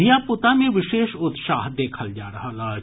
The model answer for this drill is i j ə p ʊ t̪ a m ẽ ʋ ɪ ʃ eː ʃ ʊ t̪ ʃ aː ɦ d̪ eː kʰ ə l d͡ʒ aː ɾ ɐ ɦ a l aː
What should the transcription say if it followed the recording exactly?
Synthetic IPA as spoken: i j a p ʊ t̪ a m ẽ ʋ ɪ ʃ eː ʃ ʊ t̪ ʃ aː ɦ d̪ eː kʰ ə l d͡ʒ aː ɾ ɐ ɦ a l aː

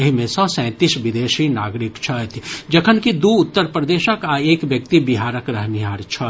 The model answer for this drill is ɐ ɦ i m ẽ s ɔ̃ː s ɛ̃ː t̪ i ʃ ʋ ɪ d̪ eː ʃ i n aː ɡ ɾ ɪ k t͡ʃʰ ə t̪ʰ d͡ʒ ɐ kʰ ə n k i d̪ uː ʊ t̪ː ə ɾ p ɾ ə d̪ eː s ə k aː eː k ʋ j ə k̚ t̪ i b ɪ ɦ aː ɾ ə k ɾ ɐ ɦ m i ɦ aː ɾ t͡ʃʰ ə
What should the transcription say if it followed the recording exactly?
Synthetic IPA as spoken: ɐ ɦ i m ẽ s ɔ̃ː s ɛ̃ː t̪ i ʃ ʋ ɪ d̪ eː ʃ i n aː ɡ ɾ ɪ k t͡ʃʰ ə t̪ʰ d͡ʒ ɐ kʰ ə n k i d̪ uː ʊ t̪ː ə ɾ p ɾ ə d̪ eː ʃ ə k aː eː k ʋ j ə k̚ t̪ i b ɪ ɦ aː ɾ ə k ɾ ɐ ɦ m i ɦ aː ɾ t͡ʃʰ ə

